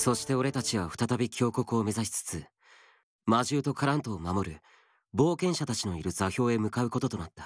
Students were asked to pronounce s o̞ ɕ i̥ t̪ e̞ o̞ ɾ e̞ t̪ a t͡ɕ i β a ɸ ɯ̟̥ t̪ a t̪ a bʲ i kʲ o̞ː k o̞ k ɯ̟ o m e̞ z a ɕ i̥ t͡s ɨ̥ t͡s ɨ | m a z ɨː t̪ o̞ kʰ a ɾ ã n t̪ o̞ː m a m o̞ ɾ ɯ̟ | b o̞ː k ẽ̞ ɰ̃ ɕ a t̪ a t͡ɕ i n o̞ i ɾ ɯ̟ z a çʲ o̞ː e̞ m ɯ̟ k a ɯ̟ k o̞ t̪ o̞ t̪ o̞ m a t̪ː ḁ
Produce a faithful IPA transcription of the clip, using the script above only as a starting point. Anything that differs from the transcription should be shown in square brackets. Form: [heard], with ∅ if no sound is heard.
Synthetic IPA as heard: s o̞ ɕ i̥ t̪ e̞ o̞ ɾ e̞ t̪ a t͡ɕ i β a ɸ ɯ̟̥ t̪ a t̪ a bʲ i kʲ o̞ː k o̞ k ɯ̟ o m e̞ z a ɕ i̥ t͡s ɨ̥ t͡s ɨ | m a [ʑ] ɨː t̪ o̞ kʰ a ɾ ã n t̪ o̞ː m a m o̞ ɾ ɯ̟ | b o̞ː k ẽ̞ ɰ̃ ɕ a t̪ a t͡ɕ i n o̞ i ɾ ɯ̟ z a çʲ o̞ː e̞ m ɯ̟ k a ɯ̟ k o̞ t̪ o̞ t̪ o̞ [n] a t̪ː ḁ